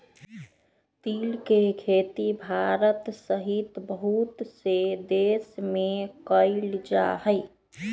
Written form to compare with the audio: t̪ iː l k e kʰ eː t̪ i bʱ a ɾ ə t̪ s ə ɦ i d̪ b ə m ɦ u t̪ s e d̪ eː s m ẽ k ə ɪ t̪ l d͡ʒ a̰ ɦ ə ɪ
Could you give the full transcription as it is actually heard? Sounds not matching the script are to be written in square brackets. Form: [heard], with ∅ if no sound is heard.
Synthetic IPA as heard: t̪ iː l k e kʰ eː t̪ i bʱ a ɾ ə t̪ s ə ɦ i [t̪] b ə [∅] ɦ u t̪ s e d̪ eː s m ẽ k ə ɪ [∅] l d͡ʒ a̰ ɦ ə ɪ